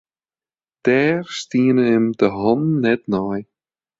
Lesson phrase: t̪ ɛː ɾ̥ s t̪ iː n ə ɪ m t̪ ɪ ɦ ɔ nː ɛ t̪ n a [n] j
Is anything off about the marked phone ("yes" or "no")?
yes